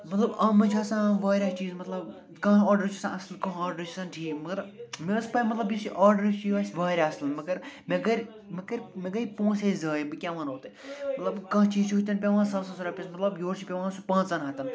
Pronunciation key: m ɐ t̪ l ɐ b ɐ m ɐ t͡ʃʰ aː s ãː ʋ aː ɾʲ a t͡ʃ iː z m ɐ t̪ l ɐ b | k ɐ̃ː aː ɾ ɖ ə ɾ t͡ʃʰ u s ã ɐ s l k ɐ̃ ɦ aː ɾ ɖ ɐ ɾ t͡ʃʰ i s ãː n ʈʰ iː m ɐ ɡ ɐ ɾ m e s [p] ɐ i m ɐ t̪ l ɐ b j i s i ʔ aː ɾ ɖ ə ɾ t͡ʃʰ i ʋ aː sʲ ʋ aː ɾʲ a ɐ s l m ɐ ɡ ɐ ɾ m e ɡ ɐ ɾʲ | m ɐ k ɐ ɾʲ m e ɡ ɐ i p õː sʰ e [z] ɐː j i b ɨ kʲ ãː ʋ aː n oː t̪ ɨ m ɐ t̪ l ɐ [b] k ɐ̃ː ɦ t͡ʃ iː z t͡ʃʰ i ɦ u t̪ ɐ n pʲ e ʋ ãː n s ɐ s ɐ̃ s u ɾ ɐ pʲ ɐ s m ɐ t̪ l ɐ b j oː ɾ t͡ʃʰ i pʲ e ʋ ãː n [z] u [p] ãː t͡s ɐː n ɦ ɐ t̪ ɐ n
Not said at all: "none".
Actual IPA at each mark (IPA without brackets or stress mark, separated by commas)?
p, z, b, s, p